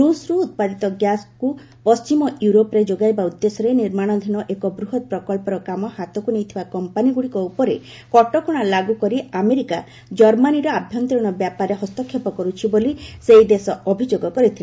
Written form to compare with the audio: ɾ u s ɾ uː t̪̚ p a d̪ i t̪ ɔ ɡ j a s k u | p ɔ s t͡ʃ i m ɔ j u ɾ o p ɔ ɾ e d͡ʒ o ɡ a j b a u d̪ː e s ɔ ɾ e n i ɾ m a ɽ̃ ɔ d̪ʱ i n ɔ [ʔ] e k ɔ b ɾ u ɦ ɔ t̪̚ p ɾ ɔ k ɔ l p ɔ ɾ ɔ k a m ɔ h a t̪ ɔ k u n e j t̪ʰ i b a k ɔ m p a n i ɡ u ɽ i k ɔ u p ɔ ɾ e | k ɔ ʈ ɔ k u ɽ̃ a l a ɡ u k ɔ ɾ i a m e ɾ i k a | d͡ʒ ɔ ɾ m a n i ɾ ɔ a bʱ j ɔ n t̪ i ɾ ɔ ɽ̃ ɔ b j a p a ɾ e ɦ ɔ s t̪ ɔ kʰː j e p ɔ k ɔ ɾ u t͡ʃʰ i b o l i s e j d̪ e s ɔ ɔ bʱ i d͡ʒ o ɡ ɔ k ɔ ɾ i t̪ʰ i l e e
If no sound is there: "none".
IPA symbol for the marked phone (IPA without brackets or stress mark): ʔ